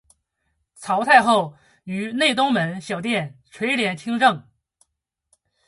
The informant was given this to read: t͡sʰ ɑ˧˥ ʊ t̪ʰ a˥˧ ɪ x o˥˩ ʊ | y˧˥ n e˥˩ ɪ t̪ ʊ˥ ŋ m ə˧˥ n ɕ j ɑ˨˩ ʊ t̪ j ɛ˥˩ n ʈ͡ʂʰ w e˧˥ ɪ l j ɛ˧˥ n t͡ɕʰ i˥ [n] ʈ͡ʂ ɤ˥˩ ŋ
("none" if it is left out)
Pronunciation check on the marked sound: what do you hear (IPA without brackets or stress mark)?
ŋ